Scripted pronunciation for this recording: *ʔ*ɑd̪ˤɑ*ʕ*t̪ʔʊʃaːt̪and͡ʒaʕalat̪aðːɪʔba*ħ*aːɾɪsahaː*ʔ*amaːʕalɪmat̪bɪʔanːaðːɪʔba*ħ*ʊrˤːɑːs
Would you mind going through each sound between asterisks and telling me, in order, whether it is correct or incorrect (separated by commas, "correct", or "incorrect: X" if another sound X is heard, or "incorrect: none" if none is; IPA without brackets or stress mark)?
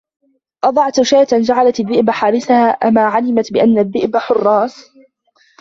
correct, correct, correct, correct, correct